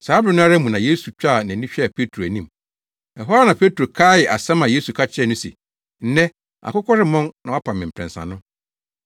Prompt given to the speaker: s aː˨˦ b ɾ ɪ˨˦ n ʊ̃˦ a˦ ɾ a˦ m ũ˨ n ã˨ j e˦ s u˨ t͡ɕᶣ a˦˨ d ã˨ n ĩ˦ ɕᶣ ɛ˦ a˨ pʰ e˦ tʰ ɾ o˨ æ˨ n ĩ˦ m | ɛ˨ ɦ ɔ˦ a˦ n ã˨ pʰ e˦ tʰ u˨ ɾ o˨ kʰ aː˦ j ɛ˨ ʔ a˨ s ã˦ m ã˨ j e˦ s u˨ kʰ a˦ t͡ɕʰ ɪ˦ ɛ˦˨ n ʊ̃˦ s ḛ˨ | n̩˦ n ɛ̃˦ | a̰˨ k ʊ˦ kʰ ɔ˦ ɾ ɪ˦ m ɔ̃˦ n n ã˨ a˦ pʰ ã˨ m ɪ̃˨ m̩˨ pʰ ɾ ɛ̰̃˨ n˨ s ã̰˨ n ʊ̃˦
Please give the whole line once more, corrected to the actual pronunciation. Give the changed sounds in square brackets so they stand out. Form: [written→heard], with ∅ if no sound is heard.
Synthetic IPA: s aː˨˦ b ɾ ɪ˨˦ n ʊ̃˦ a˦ ɾ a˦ m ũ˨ n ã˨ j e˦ s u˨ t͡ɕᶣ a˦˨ [d→n] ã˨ n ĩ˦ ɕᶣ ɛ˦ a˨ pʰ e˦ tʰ ɾ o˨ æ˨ n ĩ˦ m | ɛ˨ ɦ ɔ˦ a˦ n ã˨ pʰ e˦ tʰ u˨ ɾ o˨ kʰ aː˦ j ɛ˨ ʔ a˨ s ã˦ m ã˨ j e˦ s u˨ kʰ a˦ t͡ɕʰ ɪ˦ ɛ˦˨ n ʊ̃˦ s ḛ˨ | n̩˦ n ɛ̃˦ | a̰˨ k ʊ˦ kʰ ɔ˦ ɾ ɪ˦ m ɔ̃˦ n n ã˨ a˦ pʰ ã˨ m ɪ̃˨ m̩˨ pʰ ɾ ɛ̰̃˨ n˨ s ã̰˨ n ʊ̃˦